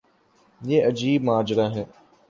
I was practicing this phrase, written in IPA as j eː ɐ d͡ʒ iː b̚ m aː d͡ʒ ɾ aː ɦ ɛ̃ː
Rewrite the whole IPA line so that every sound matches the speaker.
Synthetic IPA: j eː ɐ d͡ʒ iː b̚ m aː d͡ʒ ɾ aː ɦ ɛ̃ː